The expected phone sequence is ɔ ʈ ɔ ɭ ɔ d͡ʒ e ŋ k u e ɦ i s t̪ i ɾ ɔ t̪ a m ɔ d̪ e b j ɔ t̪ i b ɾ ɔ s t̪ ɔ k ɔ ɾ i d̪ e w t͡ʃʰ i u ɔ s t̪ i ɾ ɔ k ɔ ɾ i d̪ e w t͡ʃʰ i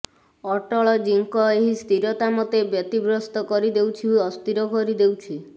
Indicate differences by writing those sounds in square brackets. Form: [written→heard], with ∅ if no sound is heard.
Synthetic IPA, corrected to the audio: ɔ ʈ ɔ ɭ ɔ d͡ʒ [e→i] ŋ k [u→ɔ] e ɦ i s t̪ i ɾ ɔ t̪ a m ɔ [d̪→t̪] e b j ɔ t̪ i b ɾ ɔ s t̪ ɔ k ɔ ɾ i d̪ e w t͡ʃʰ i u ɔ s t̪ i ɾ ɔ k ɔ ɾ i d̪ e w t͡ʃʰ i